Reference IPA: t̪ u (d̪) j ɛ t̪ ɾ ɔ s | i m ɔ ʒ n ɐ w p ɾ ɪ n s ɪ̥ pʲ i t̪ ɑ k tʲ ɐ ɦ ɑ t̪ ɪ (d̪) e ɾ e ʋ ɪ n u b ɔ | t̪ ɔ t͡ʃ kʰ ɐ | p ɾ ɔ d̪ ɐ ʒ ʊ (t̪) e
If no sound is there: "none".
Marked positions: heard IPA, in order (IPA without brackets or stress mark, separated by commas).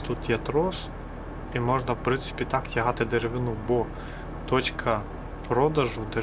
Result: t̪, d̪, d̪